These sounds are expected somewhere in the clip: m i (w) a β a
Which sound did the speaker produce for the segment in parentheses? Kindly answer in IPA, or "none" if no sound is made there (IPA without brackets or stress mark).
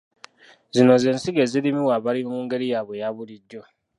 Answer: w